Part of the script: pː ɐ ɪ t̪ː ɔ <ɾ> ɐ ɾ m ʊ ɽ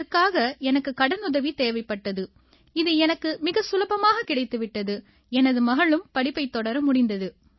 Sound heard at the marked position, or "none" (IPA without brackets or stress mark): ɽ